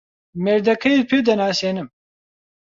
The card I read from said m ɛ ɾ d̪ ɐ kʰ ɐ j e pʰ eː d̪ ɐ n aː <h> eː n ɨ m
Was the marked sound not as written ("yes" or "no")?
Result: yes